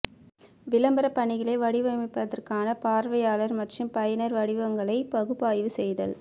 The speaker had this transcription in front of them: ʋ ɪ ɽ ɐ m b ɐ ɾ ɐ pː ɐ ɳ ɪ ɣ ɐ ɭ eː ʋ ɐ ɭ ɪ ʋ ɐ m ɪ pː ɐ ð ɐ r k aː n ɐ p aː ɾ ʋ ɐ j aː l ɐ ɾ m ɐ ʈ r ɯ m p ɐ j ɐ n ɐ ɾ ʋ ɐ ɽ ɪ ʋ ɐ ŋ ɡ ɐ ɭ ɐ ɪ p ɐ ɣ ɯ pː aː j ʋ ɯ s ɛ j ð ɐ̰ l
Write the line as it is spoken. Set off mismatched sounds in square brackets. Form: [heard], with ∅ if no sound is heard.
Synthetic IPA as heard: ʋ ɪ [l] ɐ m b ɐ ɾ ɐ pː ɐ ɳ ɪ ɣ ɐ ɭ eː ʋ ɐ [ɽ] ɪ ʋ ɐ m ɪ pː ɐ ð ɐ r k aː n ɐ p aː ɾ ʋ ɐ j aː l ɐ ɾ m ɐ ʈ r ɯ m p ɐ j ɐ n ɐ ɾ ʋ ɐ ɽ ɪ ʋ ɐ ŋ ɡ ɐ ɭ ɐ ɪ p ɐ ɣ ɯ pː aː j ʋ ɯ s ɛ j ð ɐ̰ l

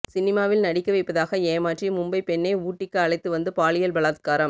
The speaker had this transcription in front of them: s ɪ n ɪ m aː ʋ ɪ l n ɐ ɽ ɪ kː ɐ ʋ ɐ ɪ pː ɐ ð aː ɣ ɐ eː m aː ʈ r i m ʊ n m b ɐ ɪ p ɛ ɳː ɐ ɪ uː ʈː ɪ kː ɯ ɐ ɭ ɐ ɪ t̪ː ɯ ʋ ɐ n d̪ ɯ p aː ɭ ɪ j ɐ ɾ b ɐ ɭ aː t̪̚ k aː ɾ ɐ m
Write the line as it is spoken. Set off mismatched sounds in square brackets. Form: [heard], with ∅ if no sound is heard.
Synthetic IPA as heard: s ɪ n ɪ m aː ʋ ɪ l n ɐ ɽ ɪ kː ɐ ʋ ɐ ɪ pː ɐ ð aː ɣ ɐ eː m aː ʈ r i m ʊ [∅] m b ɐ ɪ p ɛ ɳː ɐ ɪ uː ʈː ɪ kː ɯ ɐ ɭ ɐ ɪ t̪ː ɯ ʋ ɐ n d̪ ɯ p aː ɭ ɪ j ɐ [l] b ɐ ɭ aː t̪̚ k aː ɾ ɐ m

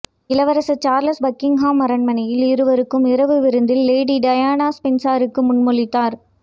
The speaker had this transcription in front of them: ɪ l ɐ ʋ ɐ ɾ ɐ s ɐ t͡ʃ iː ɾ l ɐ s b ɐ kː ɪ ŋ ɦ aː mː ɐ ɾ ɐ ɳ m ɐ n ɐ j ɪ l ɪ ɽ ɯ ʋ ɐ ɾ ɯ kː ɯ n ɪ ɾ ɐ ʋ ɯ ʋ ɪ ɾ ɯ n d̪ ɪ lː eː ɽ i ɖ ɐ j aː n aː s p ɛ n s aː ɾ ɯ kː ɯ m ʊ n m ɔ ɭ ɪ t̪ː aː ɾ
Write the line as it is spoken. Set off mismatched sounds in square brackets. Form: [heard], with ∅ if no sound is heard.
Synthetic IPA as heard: ɪ l ɐ ʋ ɐ ɾ ɐ s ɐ t͡ʃ [aː] ɾ l ɐ s b ɐ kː ɪ ŋ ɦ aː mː ɐ ɾ ɐ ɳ m ɐ n ɐ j ɪ l ɪ [ɾ] ɯ ʋ ɐ ɾ ɯ kː ɯ [m] ɪ ɾ ɐ ʋ ɯ ʋ ɪ ɾ ɯ n d̪ ɪ lː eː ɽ i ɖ ɐ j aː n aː s p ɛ n s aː ɾ ɯ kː ɯ m ʊ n m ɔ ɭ ɪ t̪ː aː ɾ

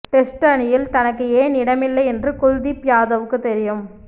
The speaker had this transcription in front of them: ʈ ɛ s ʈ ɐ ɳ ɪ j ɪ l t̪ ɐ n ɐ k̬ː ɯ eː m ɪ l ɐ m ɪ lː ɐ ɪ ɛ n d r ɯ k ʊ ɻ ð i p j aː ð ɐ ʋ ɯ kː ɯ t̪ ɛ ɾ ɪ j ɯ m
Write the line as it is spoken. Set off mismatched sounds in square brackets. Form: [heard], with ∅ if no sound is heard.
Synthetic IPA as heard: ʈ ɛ s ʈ ɐ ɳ ɪ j ɪ l t̪ ɐ n ɐ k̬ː ɯ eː [n] ɪ [ɽ] ɐ m ɪ lː ɐ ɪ ɛ n d r ɯ k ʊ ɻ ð i p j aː ð ɐ ʋ ɯ kː ɯ t̪ ɛ ɾ ɪ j ɯ m

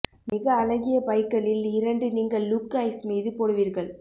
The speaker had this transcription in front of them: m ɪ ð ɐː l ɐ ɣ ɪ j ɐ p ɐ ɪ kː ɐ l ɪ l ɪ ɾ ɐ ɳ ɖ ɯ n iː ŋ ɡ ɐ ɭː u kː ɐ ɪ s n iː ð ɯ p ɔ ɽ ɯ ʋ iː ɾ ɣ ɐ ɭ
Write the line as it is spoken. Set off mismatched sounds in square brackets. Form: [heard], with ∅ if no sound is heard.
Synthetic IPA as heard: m ɪ [ɣ] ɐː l ɐ ɣ ɪ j ɐ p ɐ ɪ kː ɐ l ɪ l ɪ ɾ ɐ ɳ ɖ ɯ n iː ŋ ɡ ɐ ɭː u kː ɐ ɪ s [m] iː ð ɯ p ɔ ɽ ɯ ʋ iː ɾ ɣ ɐ ɭ

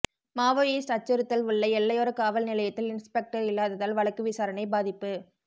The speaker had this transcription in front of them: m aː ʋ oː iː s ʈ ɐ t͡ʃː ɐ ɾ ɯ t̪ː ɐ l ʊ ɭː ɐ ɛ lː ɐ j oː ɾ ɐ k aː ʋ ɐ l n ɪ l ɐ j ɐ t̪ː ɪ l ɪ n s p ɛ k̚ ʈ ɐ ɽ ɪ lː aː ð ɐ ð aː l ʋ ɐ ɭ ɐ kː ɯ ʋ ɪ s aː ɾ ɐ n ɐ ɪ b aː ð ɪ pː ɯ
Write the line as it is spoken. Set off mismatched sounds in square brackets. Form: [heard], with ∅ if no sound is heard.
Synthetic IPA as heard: m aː ʋ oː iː s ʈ ɐ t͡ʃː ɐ ɾ ɯ t̪ː ɐ l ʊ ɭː ɐ ɛ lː ɐ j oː ɾ ɐ k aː ʋ ɐ l n ɪ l ɐ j ɐ t̪ː ɪ l ɪ n s p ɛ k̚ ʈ ɐ [ɾ] ɪ lː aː ð ɐ ð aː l ʋ ɐ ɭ ɐ kː ɯ ʋ ɪ s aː ɾ ɐ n ɐ ɪ b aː ð ɪ pː ɯ

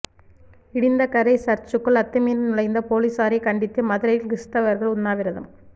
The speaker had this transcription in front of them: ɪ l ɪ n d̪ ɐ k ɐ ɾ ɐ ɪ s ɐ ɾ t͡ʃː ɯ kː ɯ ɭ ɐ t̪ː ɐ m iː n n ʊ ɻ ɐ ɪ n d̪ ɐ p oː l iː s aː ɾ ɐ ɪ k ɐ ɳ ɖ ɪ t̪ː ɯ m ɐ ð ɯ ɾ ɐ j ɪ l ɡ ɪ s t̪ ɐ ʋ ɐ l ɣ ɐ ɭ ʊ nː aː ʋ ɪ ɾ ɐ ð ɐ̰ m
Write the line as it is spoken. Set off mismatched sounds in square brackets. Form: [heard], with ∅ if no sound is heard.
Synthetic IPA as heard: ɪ [ɽ] ɪ n d̪ ɐ k ɐ ɾ ɐ ɪ s ɐ ɾ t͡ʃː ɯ kː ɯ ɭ ɐ t̪ː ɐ m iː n n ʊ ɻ ɐ ɪ n d̪ ɐ p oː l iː s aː ɾ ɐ ɪ k ɐ ɳ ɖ ɪ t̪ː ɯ m ɐ ð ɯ ɾ ɐ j ɪ l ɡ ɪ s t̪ ɐ ʋ ɐ [ɾ] ɣ ɐ ɭ ʊ nː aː ʋ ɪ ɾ ɐ ð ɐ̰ m

